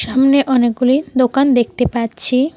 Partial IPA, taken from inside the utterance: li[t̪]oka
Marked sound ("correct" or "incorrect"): incorrect